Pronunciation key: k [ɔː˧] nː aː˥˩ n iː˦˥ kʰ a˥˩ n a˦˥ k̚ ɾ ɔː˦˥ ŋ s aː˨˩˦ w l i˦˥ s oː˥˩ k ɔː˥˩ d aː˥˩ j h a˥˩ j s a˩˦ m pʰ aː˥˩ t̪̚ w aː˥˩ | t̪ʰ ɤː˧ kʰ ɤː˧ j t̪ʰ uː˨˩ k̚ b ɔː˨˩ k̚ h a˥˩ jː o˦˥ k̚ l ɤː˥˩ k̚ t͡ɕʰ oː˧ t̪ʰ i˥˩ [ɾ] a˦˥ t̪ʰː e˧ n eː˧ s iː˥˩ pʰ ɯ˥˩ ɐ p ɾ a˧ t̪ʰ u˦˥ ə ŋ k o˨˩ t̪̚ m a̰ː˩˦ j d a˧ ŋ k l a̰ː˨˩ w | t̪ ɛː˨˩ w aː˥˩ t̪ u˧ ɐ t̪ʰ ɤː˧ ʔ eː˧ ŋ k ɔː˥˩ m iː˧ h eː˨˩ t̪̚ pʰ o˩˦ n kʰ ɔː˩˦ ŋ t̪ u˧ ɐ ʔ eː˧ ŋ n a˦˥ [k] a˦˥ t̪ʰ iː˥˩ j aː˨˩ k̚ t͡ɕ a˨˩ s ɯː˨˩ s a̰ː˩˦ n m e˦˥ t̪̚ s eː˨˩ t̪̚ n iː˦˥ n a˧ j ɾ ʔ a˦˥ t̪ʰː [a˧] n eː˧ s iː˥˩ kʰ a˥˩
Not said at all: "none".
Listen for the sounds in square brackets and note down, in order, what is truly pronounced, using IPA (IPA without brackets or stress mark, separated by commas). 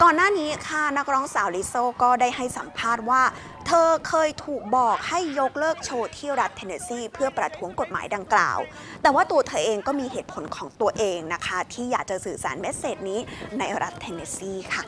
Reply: ɔː˨˩, ɾ, kʰ, e˧